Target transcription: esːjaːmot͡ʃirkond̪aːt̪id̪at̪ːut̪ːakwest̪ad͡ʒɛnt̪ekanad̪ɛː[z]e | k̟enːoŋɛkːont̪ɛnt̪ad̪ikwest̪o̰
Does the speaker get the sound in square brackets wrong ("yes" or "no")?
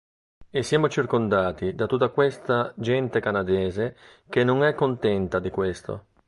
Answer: no